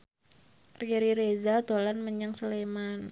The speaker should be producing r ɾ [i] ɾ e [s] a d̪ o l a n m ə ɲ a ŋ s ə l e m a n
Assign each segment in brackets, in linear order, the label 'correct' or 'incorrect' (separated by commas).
correct, incorrect